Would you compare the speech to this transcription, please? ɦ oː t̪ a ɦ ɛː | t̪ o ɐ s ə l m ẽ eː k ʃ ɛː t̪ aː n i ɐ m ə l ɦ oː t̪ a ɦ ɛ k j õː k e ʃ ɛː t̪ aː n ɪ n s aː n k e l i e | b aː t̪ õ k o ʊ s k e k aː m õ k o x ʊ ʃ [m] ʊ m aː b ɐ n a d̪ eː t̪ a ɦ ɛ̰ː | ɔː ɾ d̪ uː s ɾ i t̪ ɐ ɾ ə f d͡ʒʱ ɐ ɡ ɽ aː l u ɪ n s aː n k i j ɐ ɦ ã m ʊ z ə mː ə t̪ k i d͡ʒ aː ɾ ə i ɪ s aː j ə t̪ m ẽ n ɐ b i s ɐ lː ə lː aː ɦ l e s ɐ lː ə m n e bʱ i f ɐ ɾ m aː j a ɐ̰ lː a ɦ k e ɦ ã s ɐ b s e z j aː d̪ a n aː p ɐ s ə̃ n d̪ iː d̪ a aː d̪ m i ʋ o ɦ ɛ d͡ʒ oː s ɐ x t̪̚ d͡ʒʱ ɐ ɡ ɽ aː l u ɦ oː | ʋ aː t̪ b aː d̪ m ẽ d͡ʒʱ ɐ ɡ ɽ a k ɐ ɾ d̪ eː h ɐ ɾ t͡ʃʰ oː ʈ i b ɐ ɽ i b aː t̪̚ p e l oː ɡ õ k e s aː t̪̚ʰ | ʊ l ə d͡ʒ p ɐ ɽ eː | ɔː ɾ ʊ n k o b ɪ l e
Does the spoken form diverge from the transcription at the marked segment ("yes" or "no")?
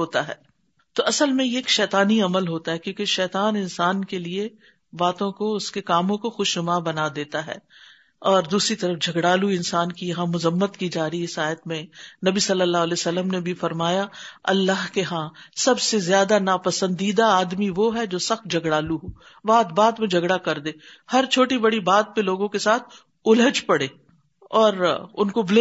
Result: yes